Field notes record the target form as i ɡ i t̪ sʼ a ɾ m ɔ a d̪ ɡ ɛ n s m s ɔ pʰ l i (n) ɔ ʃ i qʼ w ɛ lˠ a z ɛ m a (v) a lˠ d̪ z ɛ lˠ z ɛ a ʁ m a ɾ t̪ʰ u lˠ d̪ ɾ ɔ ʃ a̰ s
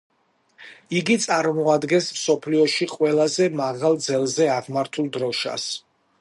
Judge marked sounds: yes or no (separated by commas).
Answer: no, no